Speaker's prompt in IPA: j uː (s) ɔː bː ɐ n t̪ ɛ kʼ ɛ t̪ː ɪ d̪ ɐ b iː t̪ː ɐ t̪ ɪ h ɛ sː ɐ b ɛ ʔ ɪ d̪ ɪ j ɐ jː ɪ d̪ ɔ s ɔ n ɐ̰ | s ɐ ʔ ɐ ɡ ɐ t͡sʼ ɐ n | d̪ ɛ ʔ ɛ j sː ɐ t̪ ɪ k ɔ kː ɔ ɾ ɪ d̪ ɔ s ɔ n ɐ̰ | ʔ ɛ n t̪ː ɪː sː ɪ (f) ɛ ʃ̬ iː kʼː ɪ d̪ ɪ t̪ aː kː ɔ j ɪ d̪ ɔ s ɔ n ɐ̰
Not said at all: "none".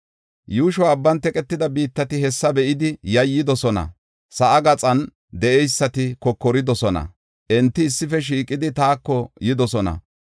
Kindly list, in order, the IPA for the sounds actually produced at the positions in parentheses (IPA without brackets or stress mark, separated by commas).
ʃ, f